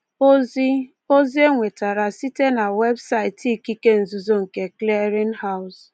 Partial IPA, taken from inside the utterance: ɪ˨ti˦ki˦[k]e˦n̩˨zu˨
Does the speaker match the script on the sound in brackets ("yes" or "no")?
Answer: yes